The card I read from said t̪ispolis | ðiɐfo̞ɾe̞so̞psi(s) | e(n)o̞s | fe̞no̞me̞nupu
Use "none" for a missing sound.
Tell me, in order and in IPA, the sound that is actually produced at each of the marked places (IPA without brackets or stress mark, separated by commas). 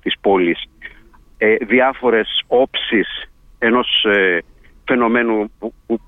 s, n